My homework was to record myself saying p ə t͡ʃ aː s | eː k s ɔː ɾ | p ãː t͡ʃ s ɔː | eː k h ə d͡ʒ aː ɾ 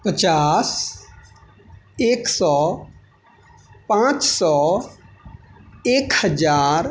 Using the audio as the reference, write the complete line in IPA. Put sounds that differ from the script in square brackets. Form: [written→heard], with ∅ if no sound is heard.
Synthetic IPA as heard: p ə t͡ʃ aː s | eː k s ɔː [ɾ→∅] | p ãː t͡ʃ s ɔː | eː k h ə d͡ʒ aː ɾ